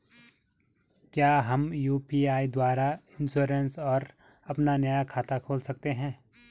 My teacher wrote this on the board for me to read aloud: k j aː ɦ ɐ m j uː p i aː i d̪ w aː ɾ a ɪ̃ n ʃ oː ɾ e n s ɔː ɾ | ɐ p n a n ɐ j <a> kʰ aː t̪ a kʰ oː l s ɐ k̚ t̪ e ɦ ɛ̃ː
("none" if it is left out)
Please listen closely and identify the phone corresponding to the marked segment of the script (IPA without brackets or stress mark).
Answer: a